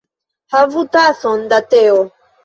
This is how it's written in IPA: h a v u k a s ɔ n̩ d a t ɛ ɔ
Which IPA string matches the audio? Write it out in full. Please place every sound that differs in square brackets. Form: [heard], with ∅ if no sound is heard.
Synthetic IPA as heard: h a v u [t] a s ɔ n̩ d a t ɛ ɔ